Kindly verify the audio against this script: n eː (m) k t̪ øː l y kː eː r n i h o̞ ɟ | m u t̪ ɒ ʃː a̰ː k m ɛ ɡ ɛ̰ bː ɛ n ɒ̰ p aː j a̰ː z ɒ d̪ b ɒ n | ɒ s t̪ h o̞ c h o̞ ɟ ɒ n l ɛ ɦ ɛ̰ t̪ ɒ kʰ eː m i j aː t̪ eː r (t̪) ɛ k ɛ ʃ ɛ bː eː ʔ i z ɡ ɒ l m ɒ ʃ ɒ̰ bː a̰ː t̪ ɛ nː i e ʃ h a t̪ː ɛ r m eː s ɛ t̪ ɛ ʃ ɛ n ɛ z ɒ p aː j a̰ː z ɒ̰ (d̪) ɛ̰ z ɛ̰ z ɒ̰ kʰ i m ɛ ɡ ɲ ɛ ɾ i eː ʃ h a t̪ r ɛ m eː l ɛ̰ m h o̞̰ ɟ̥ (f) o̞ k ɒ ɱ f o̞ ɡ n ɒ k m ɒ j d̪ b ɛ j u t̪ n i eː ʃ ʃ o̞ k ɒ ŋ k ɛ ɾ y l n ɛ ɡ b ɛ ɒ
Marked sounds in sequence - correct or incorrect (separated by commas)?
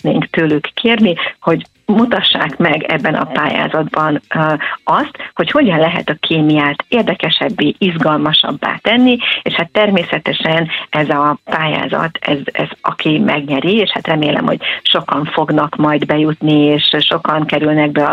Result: incorrect, incorrect, incorrect, incorrect